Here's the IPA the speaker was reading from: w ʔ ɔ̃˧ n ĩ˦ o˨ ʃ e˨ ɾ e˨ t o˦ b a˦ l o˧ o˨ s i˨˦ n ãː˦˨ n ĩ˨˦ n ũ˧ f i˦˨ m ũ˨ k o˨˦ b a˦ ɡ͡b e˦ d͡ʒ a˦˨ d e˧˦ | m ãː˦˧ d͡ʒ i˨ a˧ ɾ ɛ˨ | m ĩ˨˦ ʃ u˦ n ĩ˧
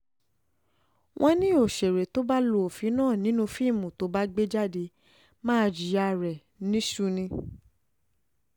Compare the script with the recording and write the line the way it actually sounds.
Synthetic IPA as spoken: w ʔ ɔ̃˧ n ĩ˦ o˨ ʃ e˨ ɾ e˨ t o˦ b a˦ l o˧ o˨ f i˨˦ n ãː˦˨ n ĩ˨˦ n ũ˧ f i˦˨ m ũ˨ t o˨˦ b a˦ ɡ͡b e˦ d͡ʒ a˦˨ d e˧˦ | m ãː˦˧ d͡ʒ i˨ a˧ ɾ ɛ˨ | n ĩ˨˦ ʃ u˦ n ĩ˧

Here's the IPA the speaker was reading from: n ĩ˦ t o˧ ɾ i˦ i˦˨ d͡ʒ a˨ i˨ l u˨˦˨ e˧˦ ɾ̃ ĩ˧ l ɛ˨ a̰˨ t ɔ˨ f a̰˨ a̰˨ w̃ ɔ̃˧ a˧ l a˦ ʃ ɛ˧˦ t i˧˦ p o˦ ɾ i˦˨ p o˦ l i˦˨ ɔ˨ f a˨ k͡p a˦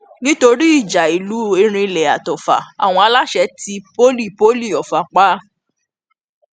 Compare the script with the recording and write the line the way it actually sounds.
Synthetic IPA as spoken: n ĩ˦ t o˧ ɾ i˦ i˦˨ d͡ʒ a˨ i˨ l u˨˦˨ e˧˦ ɾ̃ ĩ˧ l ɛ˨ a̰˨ t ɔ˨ f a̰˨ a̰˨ w̃ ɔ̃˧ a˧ l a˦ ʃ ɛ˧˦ t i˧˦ p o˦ l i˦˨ p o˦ l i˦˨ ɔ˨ f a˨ k͡p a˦

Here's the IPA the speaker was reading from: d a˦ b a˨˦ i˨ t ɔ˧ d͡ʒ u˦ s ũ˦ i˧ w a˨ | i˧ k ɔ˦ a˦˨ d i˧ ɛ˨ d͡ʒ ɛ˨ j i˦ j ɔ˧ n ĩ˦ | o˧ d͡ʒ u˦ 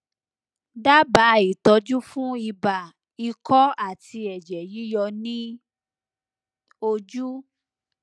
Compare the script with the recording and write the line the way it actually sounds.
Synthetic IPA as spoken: d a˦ b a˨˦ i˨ t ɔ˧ d͡ʒ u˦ f ũ˦ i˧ b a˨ | i˧ k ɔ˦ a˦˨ t i˧ ɛ˨ d͡ʒ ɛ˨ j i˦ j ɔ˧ n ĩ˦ | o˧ d͡ʒ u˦

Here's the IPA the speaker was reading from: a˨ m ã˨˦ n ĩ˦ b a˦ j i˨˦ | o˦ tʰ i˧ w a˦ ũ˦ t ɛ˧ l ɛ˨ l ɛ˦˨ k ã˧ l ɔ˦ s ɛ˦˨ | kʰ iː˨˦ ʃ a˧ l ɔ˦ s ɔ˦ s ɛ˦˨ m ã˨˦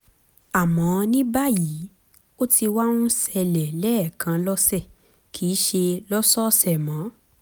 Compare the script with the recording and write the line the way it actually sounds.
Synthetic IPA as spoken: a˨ m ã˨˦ n ĩ˦ b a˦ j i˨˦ | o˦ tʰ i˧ w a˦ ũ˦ s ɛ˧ l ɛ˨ l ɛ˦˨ k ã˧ l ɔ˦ s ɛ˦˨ | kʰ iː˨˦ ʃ e˧ l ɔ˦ s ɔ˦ s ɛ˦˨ m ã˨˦

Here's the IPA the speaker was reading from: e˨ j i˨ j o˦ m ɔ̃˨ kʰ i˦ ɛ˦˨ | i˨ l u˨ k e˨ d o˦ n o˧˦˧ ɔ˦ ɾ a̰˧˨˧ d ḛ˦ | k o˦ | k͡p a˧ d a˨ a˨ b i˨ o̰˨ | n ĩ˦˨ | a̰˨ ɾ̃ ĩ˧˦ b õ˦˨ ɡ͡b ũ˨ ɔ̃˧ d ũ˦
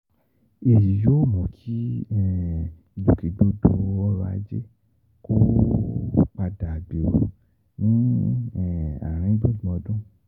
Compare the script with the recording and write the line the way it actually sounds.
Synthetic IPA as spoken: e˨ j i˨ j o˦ m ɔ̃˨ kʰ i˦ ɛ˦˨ | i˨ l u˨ k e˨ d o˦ d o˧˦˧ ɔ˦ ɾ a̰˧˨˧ d͡ʒ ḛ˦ | k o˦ | k͡p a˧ d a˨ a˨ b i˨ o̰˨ | n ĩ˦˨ | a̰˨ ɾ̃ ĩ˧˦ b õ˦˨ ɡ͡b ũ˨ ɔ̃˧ d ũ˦

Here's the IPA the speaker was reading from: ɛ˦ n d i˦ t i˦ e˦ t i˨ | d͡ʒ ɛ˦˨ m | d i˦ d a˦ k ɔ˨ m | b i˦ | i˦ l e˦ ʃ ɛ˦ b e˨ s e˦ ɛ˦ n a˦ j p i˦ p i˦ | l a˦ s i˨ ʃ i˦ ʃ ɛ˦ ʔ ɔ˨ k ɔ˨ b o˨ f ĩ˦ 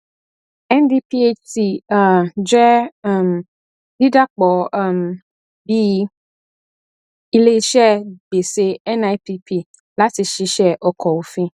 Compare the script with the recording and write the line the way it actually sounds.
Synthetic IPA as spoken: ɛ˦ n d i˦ p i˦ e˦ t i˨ | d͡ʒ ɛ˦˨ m | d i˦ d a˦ k͡p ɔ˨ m | b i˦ | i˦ l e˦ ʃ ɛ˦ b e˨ s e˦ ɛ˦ n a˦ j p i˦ p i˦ | l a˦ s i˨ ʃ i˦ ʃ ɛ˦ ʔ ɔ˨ k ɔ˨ w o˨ f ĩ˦

